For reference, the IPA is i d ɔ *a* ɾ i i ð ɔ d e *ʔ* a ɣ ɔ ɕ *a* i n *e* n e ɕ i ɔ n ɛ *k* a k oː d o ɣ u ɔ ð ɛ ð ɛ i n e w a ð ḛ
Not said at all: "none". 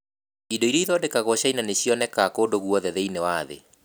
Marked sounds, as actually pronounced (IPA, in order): i, k, a, a, k

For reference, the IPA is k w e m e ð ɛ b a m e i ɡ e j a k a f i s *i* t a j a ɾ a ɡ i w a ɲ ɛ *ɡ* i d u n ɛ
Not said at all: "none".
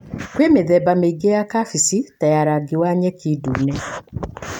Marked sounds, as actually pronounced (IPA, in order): i, k

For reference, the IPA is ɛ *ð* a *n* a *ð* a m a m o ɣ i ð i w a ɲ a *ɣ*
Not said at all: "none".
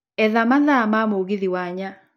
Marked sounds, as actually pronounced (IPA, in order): ð, m, ð, none

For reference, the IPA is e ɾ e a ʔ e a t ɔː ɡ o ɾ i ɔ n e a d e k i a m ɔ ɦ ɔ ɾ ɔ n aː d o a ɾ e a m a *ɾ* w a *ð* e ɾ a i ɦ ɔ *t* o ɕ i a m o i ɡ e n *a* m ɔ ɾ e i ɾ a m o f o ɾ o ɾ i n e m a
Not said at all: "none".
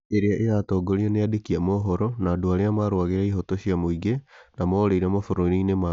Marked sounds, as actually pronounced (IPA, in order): ɾ, ɣ, t, a

